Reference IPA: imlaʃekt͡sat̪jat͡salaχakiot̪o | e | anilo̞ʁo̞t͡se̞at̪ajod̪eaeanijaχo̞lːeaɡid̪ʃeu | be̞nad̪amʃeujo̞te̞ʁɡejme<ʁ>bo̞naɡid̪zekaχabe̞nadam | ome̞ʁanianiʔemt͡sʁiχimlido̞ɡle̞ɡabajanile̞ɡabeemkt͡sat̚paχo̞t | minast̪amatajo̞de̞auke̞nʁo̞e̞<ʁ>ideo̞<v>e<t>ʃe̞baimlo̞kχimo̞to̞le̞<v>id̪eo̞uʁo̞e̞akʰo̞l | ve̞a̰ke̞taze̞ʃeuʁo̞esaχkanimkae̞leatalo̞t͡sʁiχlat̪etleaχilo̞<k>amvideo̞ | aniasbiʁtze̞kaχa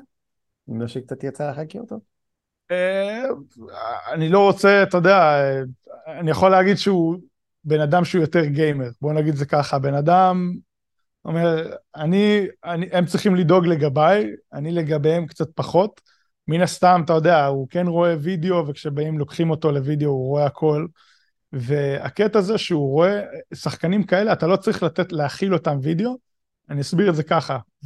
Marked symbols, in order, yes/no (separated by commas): yes, no, yes, no, yes, no